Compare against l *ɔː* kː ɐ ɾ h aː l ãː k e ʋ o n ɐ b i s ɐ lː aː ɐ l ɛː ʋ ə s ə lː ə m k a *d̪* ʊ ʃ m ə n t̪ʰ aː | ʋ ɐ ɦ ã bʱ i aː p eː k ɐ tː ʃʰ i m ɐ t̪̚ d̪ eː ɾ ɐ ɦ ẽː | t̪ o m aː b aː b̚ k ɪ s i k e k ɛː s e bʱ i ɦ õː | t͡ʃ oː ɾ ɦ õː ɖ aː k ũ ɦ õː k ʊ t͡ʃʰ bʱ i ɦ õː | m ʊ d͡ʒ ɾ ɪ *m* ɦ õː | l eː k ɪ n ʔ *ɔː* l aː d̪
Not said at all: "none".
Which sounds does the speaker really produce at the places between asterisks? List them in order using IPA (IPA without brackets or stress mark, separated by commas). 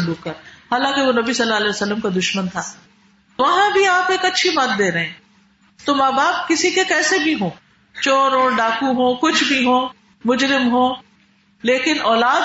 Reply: uː, d̪, m, ɔː